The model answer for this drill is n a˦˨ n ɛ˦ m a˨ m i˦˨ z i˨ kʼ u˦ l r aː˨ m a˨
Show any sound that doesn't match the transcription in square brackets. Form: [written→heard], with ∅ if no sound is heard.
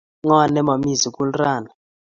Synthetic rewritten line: [n→ŋ] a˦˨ n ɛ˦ m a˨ m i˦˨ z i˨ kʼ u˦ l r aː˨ [m→n] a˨